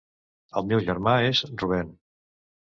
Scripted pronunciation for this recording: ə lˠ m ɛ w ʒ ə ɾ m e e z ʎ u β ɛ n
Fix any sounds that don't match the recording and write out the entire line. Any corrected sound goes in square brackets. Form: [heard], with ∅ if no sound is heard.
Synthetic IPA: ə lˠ m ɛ w ʒ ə ɾ m [a] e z [r] u β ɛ n